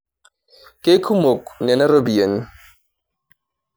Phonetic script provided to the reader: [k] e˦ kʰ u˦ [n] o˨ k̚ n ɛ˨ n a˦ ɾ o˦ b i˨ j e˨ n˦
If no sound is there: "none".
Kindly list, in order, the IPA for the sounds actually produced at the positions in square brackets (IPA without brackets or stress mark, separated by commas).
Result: k, m